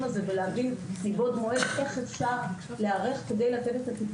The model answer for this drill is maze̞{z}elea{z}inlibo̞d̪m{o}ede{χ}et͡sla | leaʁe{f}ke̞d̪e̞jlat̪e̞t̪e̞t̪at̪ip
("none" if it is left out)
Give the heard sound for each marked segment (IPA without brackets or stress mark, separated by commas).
v, v, o, χ, χ